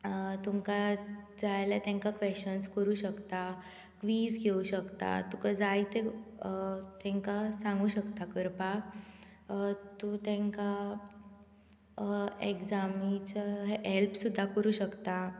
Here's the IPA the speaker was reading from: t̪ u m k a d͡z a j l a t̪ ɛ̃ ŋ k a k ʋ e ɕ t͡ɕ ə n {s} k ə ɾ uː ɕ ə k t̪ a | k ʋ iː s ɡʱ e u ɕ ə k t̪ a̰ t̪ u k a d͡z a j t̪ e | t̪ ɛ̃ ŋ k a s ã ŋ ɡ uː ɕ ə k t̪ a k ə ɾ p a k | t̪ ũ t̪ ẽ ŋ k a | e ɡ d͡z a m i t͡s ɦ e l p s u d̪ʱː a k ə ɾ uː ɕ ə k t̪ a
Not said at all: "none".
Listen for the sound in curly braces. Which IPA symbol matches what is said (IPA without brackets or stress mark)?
s